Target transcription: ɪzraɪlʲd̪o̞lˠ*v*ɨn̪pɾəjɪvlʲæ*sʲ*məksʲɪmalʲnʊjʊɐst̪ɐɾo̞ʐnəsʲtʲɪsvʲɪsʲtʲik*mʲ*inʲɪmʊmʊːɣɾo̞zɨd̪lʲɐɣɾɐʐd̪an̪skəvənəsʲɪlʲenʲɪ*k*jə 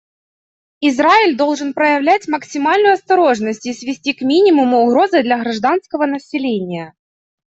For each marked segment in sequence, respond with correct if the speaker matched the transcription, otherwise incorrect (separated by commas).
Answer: incorrect, incorrect, correct, incorrect